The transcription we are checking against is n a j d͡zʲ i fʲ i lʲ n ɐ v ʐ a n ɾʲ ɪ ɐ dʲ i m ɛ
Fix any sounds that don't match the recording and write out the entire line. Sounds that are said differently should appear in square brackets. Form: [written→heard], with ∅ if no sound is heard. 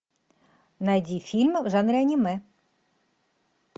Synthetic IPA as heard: n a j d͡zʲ i fʲ i lʲ [n→m] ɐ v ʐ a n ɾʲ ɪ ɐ [dʲ→nʲ] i m ɛ

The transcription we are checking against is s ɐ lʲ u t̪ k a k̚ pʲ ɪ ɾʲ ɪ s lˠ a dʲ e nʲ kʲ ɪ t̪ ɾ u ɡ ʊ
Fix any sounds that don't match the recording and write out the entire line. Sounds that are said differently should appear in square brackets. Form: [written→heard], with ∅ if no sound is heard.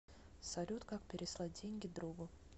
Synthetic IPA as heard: s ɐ lʲ u t̪ k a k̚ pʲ ɪ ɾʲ ɪ s lˠ a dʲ e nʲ [kʲ→ɡʲ] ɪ [t̪→d̪] ɾ u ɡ ʊ

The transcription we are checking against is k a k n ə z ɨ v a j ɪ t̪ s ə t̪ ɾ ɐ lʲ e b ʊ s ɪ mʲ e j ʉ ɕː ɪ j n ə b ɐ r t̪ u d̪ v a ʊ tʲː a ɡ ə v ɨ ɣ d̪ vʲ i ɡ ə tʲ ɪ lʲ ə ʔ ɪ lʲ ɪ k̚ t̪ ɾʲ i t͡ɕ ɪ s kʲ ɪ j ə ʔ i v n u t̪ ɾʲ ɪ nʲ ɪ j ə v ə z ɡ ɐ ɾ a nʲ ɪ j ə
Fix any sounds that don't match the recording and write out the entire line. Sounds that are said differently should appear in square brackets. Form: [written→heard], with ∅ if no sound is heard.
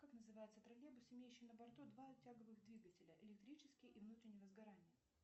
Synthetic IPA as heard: k a k n ə z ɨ v a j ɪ t̪ s ə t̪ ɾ ɐ lʲ e b ʊ s ɪ mʲ e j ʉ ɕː ɪ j n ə b ɐ r t̪ u d̪ v a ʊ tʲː a ɡ ə v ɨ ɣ d̪ vʲ i ɡ ə tʲ ɪ lʲ ə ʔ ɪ lʲ ɪ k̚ t̪ ɾʲ i t͡ɕ ɪ s kʲ ɪ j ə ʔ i v n u t̪ ɾʲ ɪ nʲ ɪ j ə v ə z ɡ ɐ ɾ a nʲ ɪ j ə

